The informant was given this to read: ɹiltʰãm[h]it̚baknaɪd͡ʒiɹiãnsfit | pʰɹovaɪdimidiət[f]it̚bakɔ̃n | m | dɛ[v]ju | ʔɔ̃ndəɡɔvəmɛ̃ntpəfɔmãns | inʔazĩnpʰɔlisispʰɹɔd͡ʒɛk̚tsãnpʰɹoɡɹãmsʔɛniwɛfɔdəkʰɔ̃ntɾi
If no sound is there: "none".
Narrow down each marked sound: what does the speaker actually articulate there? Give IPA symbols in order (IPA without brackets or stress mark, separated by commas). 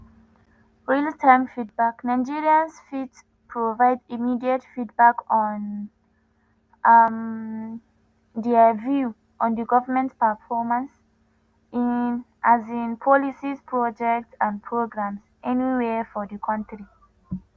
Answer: f, f, v